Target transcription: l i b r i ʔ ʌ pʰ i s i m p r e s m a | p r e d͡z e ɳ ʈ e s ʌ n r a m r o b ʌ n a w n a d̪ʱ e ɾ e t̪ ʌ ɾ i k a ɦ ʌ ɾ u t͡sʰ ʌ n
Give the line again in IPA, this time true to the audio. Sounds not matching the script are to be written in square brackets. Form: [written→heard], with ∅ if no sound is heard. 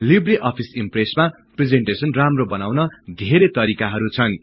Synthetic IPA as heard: l i b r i ʔ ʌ pʰ i s i m p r e s m a | p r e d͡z e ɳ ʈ e s ʌ n r a m r o b ʌ n a w n [a→ʌ] d̪ʱ e ɾ e t̪ ʌ ɾ i k a ɦ ʌ ɾ u t͡sʰ ʌ n